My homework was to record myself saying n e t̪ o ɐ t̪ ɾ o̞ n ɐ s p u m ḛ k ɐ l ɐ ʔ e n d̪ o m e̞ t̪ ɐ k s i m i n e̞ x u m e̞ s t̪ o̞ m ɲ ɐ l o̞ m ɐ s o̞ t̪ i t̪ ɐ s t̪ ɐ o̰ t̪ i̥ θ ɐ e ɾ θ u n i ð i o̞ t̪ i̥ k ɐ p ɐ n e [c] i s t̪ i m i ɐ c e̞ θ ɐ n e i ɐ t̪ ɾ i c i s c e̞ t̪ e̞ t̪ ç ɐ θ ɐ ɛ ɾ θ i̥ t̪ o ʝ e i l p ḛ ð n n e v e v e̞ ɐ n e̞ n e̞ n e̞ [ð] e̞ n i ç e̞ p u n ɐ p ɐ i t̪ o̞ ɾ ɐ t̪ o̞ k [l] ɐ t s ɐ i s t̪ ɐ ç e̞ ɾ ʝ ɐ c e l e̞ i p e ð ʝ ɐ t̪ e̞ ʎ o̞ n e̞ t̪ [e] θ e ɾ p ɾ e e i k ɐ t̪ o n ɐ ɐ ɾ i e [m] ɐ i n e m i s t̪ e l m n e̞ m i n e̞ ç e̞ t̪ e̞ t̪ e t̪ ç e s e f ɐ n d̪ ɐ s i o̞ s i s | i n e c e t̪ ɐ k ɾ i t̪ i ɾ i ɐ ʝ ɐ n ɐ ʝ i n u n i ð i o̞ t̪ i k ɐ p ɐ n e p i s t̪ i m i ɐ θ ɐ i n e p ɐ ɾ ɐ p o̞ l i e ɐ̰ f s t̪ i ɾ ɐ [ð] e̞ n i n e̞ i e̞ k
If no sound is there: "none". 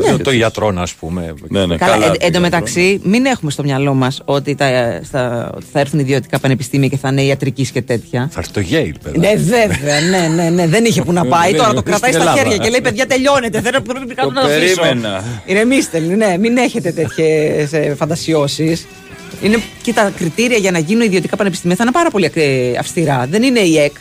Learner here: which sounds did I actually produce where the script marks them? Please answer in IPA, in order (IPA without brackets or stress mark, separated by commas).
p, ð, ɾ, e, n, ð